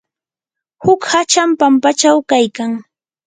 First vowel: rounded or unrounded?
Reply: rounded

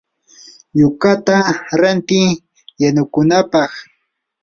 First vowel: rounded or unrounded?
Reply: rounded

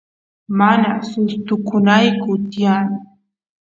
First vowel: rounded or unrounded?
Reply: unrounded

